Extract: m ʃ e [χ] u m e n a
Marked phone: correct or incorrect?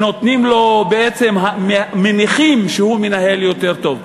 incorrect